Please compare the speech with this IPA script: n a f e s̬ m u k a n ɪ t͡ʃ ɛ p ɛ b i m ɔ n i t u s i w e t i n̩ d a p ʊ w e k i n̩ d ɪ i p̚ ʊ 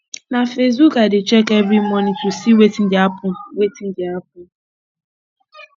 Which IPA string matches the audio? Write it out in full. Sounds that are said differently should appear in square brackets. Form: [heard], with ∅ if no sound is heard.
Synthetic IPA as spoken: n a f e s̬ [b] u k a [d] ɪ t͡ʃ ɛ [k] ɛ b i m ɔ n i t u s i w e t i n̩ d a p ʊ w e [t] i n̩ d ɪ [a] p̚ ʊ